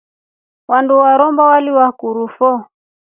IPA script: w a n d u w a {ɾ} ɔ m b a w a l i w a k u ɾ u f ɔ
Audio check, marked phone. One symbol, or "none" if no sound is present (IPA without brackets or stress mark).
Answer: ɾ